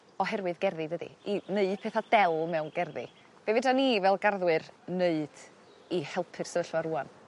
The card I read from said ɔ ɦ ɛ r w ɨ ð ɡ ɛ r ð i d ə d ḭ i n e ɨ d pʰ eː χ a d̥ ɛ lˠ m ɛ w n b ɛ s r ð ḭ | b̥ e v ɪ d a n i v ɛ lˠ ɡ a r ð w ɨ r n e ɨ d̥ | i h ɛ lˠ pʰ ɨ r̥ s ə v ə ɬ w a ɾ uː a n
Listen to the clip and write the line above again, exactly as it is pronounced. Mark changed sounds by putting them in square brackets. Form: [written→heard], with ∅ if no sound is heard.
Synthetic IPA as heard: ɔ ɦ ɛ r w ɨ ð ɡ ɛ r ð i d ə d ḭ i n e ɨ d pʰ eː [χ→θ] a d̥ ɛ lˠ m ɛ w n [b→ɡ] ɛ [s→∅] r ð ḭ | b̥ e v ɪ d a n i v ɛ lˠ ɡ a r ð w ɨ r n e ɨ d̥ | i h ɛ lˠ pʰ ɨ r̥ s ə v ə ɬ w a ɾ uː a n